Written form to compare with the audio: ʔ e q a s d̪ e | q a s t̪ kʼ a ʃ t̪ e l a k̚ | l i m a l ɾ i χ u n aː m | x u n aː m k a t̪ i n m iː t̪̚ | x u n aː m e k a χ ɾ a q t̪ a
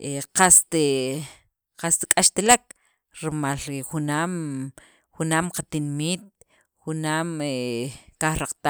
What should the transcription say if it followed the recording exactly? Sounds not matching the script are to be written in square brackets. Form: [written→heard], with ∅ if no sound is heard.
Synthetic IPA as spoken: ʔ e q a s [d̪→t̪] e | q a s t̪ kʼ a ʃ t̪ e l a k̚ | [l→ɾ] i m a l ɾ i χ u n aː m | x u n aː m [k→q] a t̪ i n m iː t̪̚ | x u n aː m e k a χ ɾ a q t̪ a